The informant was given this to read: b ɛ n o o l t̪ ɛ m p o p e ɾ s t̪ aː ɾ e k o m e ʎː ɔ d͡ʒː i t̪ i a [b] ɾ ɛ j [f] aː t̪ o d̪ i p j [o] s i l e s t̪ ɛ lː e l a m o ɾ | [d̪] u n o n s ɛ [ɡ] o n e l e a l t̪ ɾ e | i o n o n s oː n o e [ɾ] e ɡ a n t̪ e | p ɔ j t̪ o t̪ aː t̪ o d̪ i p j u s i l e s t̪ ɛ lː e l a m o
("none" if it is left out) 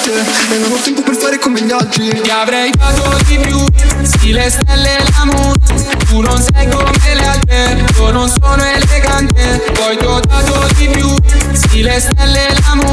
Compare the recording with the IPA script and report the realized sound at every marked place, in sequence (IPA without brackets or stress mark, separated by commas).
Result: v, f, u, t̪, ɡ, l